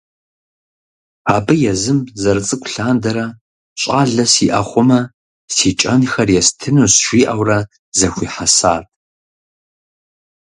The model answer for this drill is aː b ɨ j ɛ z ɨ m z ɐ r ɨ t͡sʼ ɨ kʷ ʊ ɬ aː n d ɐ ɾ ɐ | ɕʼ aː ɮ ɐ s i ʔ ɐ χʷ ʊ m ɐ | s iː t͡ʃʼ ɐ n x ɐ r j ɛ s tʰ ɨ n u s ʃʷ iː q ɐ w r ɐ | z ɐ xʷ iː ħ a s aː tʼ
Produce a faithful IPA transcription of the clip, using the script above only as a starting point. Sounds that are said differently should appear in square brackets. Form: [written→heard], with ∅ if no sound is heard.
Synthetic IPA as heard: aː b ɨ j ɛ z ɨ m z ɐ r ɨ t͡sʼ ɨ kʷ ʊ ɬ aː n d ɐ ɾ ɐ | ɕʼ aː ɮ ɐ s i ʔ ɐ χʷ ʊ m ɐ | s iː t͡ʃʼ ɐ n x ɐ r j ɛ s tʰ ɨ n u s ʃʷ iː [q→ʔ] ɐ w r ɐ | z ɐ xʷ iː ħ a s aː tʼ